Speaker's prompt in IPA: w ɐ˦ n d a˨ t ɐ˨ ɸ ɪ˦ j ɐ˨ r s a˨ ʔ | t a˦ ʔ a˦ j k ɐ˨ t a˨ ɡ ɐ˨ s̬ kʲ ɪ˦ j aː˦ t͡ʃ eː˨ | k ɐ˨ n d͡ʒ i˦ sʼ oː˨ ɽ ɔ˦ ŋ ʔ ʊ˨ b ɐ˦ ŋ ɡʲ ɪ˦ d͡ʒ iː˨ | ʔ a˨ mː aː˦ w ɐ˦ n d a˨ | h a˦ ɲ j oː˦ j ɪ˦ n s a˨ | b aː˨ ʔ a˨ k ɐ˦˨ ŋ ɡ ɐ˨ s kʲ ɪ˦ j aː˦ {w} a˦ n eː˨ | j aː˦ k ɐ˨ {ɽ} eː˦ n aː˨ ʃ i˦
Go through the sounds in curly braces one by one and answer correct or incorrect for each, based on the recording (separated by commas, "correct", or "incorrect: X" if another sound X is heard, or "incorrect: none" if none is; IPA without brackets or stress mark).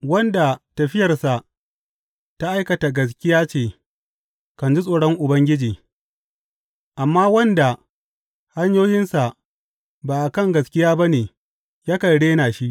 incorrect: b, correct